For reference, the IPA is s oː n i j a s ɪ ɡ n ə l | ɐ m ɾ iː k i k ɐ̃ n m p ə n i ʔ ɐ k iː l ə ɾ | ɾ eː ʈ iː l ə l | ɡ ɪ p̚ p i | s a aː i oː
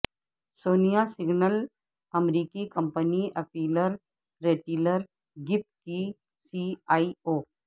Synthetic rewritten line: s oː n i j a s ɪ ɡ n ə l | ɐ m ɾ iː k i k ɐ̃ m p ə n i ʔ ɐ p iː l ə ɾ | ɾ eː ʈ iː l ə ɾ | ɡ ɪ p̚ k i | s i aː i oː